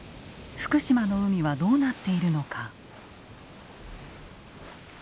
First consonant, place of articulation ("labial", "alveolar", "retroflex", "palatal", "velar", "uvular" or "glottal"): labial